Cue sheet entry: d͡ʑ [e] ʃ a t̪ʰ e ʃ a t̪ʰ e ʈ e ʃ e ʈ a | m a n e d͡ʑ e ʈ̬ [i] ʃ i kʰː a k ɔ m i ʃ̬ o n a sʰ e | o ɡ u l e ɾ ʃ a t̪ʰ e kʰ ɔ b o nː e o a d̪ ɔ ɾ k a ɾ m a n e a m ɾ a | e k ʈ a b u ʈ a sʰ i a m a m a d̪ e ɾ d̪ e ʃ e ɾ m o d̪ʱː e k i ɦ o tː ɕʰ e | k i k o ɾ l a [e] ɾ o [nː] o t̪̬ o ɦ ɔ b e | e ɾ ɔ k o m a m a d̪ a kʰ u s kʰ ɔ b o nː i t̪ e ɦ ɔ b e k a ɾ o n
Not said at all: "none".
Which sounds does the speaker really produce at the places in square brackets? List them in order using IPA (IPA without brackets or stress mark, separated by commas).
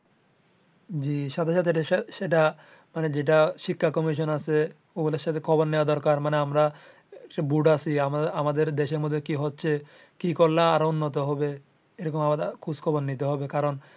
i, a, a, nː